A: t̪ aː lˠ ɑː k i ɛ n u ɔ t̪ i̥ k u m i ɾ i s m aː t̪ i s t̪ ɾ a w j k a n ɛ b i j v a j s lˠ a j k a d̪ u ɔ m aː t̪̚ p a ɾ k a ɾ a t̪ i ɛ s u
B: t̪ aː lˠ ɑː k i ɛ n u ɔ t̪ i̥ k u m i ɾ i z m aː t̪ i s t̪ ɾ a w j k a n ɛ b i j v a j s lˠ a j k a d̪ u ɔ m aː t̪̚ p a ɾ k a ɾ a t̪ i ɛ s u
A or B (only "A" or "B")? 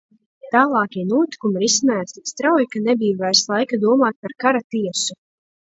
A